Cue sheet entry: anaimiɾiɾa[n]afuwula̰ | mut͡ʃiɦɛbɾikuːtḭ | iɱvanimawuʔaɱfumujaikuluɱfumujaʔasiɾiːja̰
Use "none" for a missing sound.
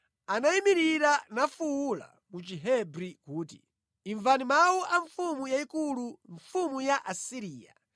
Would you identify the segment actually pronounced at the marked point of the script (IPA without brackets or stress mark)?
n